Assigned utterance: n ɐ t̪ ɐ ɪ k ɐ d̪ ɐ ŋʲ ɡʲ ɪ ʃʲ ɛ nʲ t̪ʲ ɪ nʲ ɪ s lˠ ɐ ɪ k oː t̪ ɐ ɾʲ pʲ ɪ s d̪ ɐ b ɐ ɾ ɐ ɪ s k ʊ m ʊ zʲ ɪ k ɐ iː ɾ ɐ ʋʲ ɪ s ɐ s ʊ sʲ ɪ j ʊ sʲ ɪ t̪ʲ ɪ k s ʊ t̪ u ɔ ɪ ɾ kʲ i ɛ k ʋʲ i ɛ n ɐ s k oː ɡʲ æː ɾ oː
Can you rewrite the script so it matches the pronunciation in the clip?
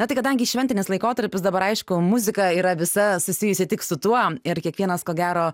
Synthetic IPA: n ɐ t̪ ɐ ɪ k ɐ d̪ ɐ ŋʲ ɡʲ ɪ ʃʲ ɛ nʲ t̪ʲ ɪ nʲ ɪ s lˠ ɐ ɪ k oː t̪ ɐ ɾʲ pʲ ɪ s d̪ ɐ b ɐ ɾ ɐ ɪ ʃ k ʊ m ʊ zʲ ɪ k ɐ iː ɾ ɐ ʋʲ ɪ s ɐ s ʊ sʲ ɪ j ʊ sʲ ɪ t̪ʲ ɪ k s ʊ t̪ u ɔ ɪ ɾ kʲ i ɛ k ʋʲ i ɛ n ɐ s k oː ɡʲ æː ɾ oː